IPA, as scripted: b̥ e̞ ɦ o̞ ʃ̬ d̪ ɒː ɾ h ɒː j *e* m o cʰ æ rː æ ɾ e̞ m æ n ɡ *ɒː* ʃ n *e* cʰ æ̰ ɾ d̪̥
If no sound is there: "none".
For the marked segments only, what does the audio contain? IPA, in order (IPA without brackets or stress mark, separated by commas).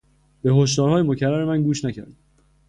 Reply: e, uː, æ